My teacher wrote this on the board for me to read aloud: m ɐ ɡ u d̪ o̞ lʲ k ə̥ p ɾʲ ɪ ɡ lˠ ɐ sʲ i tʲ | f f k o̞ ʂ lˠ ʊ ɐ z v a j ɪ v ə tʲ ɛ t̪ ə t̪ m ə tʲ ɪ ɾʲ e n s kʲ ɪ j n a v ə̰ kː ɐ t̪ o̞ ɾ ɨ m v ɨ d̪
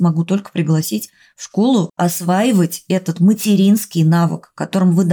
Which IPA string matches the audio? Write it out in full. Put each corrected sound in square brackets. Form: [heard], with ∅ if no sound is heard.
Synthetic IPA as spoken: m ɐ ɡ u [t̪] o̞ lʲ k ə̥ p ɾʲ ɪ ɡ lˠ ɐ sʲ i tʲ | f [ʂ] k o̞ [∅] lˠ ʊ ɐ [s] v a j ɪ v ə tʲ ɛ t̪ ə t̪ m ə tʲ ɪ ɾʲ [i] n s kʲ ɪ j n a v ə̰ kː ɐ t̪ o̞ ɾ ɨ m v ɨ d̪